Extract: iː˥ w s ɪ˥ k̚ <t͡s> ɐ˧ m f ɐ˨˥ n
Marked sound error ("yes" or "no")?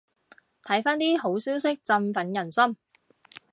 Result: no